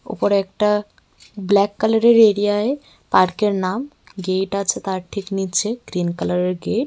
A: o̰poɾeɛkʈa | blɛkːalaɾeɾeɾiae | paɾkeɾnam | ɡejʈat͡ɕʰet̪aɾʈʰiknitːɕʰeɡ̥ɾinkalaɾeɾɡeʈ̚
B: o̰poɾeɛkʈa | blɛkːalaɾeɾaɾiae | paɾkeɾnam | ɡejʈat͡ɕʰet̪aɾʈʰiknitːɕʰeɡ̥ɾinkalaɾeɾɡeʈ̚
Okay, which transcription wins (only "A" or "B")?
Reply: A